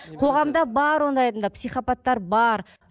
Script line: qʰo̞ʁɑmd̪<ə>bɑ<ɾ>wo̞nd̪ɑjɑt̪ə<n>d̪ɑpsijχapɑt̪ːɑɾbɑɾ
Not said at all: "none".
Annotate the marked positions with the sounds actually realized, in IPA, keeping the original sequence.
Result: ɑ, ɾ, n

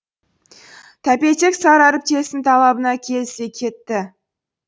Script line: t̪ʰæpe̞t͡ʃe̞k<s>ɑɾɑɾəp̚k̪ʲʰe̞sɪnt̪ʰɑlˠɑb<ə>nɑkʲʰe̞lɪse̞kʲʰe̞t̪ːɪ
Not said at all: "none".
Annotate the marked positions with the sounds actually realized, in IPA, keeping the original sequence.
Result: s, ə

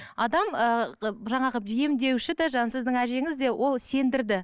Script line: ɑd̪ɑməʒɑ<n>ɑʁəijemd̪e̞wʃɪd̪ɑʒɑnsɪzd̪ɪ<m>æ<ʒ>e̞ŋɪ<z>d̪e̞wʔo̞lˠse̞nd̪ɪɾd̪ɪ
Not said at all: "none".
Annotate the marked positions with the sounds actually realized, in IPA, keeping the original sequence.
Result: ɴ, ŋ, ʒ, z

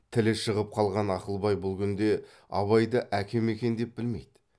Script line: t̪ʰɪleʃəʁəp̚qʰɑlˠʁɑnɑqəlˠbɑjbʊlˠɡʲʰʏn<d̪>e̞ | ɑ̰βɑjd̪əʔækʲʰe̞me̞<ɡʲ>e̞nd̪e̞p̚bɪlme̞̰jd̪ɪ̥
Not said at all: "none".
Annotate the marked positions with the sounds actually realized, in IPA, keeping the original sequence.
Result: d̪, kʲ

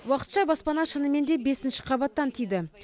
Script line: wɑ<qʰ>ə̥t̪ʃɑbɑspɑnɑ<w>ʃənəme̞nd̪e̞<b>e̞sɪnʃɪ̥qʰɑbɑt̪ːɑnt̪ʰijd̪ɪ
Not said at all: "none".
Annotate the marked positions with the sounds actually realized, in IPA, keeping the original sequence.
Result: q, none, b

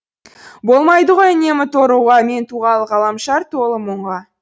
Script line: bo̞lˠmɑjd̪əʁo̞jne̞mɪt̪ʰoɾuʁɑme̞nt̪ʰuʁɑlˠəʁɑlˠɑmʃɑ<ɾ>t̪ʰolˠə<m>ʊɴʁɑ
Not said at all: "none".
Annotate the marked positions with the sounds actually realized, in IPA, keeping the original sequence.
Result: ɾ, m

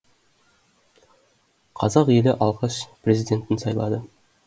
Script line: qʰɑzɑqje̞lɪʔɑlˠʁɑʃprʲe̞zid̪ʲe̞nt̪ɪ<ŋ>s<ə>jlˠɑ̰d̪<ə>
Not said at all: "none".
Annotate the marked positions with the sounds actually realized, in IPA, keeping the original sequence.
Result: n, ɑ, ə

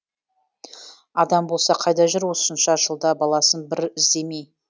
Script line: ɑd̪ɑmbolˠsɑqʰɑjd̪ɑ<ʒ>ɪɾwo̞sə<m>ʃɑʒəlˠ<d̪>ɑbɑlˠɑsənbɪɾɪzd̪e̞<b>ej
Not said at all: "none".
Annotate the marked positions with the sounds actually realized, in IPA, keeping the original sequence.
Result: ʒ, n, d̪, m

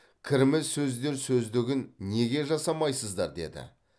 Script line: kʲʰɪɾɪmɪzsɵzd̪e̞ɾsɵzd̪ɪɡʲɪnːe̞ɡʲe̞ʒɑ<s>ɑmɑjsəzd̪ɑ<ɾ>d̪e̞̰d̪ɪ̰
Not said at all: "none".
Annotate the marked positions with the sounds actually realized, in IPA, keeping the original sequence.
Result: s, ɾ

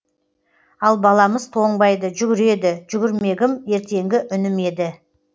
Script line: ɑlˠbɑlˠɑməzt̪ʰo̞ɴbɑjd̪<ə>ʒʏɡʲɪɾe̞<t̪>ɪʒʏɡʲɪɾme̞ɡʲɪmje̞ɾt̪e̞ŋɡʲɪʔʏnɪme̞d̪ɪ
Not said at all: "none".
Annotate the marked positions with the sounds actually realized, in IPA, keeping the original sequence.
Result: ə, d̪

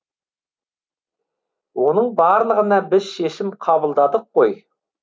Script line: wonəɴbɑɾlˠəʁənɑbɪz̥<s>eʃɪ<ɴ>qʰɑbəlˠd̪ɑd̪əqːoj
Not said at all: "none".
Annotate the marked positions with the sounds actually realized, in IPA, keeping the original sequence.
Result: ʃ, m

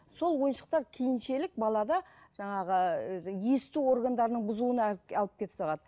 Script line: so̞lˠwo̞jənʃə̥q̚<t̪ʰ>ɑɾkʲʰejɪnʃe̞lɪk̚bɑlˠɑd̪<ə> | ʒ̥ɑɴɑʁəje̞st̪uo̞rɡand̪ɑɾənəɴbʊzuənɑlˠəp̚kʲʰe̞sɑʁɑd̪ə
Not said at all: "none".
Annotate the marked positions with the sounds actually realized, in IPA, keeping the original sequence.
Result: t̪, ɑ

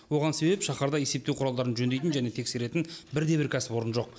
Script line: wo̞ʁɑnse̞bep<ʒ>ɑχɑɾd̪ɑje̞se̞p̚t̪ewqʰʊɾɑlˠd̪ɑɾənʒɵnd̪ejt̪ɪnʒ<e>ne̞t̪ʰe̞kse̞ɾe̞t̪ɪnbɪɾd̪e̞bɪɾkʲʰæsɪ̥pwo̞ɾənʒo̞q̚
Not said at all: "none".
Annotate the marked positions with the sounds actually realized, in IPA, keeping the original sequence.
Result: ʃ, æ

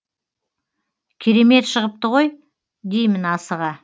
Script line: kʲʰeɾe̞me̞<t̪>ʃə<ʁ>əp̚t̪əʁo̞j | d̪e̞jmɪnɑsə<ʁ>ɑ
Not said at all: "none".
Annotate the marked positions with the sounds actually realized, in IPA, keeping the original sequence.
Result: t̪, ʁ, ʁ

